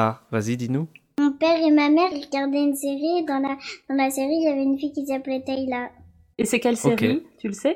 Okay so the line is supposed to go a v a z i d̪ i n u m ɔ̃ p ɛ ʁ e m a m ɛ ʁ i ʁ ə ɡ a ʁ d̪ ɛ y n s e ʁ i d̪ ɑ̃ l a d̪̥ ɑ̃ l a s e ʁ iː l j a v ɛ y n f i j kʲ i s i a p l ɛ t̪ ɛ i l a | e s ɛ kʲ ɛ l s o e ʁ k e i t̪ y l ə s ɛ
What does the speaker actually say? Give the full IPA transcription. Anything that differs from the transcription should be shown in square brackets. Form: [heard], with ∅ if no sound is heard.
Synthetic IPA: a v a z i d̪ i n u m ɔ̃ p ɛ ʁ e m a m ɛ ʁ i ʁ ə ɡ a ʁ d̪ ɛ y n s e ʁ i d̪ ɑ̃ l a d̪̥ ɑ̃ l a s e ʁ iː l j a v ɛ y n f i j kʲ i s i a p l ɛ t̪ ɛ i l a | e s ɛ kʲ ɛ l s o e ʁ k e i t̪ y l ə s ɛ